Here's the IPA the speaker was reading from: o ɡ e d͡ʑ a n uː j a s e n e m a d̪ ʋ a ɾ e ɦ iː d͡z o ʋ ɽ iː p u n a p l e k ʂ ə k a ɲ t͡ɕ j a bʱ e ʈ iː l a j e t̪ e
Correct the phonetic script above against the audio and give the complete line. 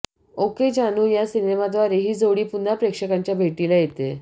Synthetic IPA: o k e d͡ʑ a n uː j a s i n e m a d̪ ʋ a ɾ e ɦ iː d͡z o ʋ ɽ iː p u n a p ɾ e k ʂ ə k a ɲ t͡ɕ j a bʱ e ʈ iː l a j e t̪ e